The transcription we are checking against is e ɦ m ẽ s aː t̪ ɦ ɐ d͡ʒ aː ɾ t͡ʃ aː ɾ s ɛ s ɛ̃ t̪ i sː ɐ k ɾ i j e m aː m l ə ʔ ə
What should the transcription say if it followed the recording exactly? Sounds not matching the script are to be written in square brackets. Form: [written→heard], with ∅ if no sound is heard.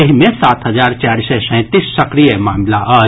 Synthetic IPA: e ɦ m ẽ s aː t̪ ɦ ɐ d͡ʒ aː ɾ t͡ʃ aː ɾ s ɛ s ɛ̃ t̪ i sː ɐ k ɾ i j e m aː m l [ə→a] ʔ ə